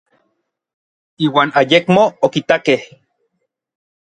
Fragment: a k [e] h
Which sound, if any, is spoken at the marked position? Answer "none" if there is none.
e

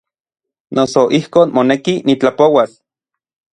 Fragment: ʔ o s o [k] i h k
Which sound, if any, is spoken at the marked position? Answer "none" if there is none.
ʔ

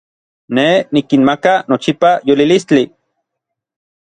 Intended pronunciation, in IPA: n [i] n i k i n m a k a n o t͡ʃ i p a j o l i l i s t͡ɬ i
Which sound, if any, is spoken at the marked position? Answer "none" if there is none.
e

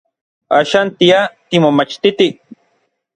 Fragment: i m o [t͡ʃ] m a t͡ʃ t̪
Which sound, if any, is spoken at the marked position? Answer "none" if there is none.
none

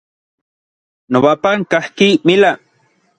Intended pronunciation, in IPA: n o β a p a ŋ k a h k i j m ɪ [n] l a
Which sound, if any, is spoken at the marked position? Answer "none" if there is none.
none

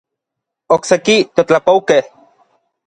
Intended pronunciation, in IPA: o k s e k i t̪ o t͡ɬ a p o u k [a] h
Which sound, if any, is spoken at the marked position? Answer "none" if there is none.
e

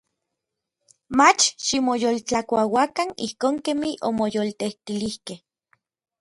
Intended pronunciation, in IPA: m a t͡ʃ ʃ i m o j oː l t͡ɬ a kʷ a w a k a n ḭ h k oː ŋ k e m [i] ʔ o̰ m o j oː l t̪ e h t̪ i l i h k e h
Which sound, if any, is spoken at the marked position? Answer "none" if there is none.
i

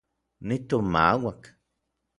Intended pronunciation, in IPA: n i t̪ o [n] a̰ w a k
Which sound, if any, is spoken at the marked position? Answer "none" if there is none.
m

